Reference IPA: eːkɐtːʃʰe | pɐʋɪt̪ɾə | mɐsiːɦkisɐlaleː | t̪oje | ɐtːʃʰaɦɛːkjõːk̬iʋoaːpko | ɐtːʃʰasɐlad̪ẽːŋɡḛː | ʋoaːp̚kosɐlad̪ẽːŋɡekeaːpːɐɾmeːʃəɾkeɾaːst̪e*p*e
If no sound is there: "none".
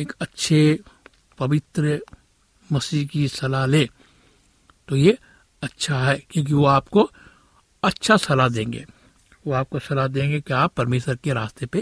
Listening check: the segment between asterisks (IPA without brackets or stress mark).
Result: p